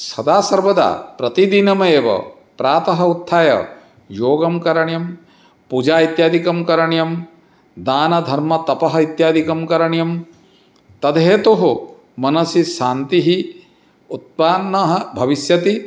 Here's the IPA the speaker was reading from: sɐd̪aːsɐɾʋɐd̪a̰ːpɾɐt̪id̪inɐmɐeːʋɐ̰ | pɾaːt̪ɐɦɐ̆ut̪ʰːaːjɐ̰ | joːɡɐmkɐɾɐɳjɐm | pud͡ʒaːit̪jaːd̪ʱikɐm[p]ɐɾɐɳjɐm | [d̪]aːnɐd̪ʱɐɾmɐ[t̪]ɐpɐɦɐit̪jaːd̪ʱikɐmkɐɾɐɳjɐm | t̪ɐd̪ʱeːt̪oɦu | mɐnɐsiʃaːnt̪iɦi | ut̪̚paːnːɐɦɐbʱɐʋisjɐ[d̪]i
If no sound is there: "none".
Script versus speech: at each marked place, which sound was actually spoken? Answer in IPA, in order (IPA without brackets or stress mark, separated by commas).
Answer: k, d̪, t̪, t̪